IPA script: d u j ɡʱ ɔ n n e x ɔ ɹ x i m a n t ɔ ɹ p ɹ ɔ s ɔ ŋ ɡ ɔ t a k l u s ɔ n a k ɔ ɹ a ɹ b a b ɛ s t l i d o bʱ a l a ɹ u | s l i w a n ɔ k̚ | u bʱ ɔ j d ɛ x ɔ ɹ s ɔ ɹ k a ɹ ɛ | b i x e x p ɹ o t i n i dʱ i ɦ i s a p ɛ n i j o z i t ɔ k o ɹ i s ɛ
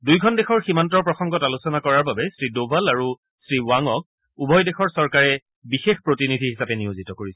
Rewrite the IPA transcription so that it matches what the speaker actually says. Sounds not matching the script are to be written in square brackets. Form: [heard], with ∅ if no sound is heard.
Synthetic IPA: d u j ɡʱ ɔ n [d] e x ɔ ɹ x i m a n t ɔ ɹ p ɹ ɔ [x] ɔ ŋ ɡ ɔ t a [∅] l u s ɔ n a k ɔ ɹ a ɹ b a b ɛ s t [ɹ] i d o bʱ a l a ɹ u | s [ɹ] i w a [ŋ] ɔ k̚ | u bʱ ɔ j d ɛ x ɔ ɹ s ɔ ɹ k a ɹ ɛ | b i x e x p ɹ o t i n i dʱ i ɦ i s a p ɛ n i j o z i t ɔ k o ɹ i s ɛ

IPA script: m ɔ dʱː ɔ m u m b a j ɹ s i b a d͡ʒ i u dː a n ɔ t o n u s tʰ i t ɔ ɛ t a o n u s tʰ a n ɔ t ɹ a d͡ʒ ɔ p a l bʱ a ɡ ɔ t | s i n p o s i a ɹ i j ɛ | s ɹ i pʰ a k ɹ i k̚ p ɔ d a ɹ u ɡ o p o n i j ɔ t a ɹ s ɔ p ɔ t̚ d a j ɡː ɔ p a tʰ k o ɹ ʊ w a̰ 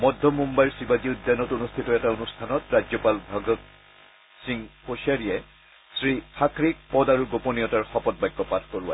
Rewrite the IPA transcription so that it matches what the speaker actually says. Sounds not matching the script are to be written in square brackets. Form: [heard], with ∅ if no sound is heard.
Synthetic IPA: m ɔ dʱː ɔ m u m b a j ɹ s i b a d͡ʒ i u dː a n ɔ t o n u s tʰ i t ɔ ɛ t a o n u s tʰ a n ɔ t ɹ a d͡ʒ ɔ p a l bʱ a ɡ ɔ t | s i [ŋ] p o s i a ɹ i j ɛ | s ɹ i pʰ a k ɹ i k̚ p ɔ d a ɹ u ɡ o p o n i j ɔ t a ɹ [x] ɔ p ɔ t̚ [b] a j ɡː ɔ p a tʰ k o ɹ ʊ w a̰

